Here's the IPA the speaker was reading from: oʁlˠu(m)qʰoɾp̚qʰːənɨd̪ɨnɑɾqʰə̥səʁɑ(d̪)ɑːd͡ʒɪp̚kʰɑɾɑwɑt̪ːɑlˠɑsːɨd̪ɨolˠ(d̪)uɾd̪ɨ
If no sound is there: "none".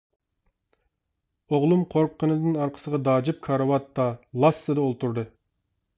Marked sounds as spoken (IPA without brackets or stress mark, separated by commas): m, d̪, t̪